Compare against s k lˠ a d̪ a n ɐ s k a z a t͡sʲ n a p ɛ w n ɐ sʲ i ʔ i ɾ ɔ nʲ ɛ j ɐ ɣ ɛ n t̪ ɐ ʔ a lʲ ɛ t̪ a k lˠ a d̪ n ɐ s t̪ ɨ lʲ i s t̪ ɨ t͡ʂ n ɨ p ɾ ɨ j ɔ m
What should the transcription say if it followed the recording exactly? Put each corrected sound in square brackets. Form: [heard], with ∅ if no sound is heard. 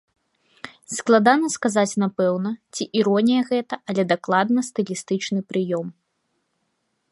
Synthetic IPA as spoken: s k lˠ a d̪ a n ɐ s k a z a t͡sʲ n a p ɛ w n ɐ [t͡sʲ] i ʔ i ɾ ɔ nʲ [i] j ɐ ɣ ɛ [∅] t̪ ɐ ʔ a lʲ ɛ [d̪] a k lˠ a d̪ n ɐ s t̪ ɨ lʲ i s t̪ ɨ t͡ʂ n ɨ p ɾ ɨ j ɔ m